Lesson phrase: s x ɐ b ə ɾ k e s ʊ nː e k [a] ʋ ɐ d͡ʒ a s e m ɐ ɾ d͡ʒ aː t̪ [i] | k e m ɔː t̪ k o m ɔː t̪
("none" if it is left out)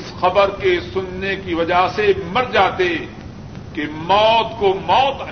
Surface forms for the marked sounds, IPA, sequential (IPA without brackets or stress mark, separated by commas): i, e